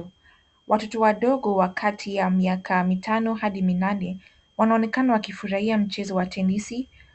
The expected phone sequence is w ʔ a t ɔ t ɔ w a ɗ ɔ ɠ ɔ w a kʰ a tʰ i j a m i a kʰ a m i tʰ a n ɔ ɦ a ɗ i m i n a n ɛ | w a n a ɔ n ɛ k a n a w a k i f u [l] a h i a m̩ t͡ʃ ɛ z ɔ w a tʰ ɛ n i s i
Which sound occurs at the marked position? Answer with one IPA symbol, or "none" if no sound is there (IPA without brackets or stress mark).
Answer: ɾ